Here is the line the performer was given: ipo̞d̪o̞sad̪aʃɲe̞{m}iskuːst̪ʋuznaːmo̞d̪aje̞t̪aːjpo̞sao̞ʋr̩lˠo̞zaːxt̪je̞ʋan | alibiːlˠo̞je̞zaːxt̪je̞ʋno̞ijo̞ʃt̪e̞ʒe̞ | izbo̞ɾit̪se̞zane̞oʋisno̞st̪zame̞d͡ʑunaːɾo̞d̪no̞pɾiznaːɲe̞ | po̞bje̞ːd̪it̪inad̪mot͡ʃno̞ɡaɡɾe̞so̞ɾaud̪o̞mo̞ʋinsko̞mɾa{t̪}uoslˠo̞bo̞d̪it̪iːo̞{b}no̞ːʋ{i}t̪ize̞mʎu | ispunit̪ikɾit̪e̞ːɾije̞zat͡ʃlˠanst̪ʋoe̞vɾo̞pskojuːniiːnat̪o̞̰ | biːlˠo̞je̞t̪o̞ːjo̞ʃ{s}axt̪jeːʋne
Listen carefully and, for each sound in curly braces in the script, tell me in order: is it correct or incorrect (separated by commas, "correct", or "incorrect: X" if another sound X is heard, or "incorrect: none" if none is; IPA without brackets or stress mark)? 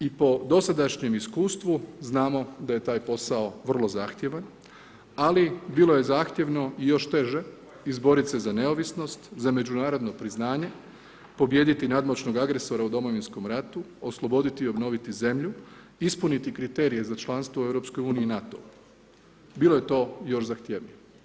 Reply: correct, correct, correct, correct, incorrect: z